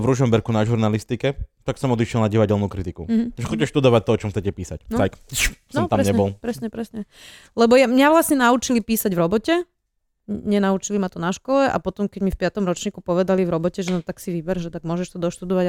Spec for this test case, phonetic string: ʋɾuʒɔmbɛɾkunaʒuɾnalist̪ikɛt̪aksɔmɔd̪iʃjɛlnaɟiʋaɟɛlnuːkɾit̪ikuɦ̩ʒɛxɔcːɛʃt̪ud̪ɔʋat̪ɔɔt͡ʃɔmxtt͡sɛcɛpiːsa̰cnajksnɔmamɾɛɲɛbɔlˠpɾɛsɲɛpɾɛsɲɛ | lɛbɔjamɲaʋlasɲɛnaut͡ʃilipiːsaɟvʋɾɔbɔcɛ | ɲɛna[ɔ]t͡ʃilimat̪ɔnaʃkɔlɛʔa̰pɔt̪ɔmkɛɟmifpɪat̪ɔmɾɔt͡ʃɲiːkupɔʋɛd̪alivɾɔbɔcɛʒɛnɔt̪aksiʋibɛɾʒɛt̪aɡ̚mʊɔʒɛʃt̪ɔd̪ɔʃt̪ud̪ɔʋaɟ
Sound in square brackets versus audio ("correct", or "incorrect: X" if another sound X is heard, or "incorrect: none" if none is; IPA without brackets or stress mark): incorrect: u